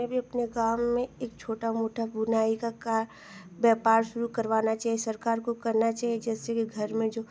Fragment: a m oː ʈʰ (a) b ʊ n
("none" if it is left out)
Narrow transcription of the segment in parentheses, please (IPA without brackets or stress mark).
a